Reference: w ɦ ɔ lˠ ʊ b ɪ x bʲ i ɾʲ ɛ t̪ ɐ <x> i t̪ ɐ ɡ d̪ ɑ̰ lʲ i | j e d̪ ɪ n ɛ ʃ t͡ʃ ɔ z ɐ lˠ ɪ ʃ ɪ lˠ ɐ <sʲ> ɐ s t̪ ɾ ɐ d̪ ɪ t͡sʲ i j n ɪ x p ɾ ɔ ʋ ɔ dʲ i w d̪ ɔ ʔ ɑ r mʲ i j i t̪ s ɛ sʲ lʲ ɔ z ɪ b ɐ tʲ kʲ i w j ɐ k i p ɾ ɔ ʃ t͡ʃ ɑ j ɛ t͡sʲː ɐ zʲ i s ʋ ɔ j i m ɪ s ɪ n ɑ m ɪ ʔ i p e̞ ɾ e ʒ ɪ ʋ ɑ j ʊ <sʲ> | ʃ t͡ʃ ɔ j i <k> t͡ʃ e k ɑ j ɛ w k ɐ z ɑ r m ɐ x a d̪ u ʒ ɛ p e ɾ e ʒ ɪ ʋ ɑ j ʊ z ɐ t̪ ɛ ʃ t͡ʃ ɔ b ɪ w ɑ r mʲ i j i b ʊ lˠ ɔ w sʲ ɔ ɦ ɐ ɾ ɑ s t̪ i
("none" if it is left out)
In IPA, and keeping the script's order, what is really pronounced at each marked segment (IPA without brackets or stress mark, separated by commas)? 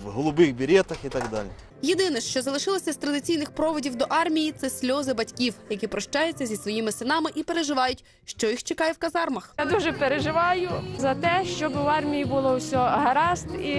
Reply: x, sʲ, tʲ, x